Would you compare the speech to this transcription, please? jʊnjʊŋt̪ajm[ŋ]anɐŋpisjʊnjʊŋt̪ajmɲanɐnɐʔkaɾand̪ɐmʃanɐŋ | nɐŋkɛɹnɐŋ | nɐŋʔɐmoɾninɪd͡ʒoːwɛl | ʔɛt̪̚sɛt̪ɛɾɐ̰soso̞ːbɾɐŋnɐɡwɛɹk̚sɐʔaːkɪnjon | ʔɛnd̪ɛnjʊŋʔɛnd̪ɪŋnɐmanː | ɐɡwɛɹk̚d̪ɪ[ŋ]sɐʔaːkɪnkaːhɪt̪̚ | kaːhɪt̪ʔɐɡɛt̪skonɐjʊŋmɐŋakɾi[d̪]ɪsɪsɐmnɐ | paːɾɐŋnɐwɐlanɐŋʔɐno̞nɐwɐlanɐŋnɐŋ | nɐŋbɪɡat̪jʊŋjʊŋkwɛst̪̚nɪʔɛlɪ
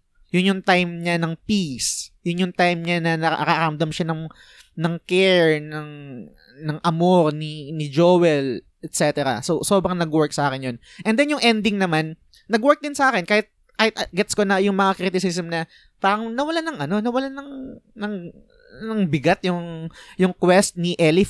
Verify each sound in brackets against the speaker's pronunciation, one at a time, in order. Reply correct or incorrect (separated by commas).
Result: incorrect, incorrect, incorrect